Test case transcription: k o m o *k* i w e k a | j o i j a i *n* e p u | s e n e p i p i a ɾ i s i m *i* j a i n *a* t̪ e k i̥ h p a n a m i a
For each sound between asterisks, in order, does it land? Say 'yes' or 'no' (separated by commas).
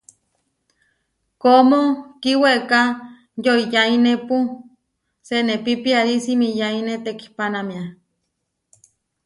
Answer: yes, yes, yes, no